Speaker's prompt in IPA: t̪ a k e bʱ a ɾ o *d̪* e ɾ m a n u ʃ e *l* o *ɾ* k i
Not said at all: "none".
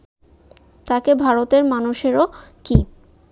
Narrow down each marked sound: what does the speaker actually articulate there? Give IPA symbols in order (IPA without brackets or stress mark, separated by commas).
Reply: t̪, ɾ, none